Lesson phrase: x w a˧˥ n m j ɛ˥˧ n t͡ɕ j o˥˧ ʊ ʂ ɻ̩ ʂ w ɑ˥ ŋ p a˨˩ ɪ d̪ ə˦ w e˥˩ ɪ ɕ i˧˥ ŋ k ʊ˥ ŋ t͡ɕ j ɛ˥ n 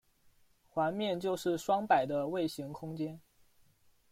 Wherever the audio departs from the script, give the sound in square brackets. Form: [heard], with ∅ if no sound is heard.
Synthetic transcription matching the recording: x w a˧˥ n m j ɛ˥˧ n t͡ɕ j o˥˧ ʊ ʂ ɻ̩ ʂ w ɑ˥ ŋ p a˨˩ ɪ d̪ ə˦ w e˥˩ ɪ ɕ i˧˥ ŋ [kʰ] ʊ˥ ŋ t͡ɕ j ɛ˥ n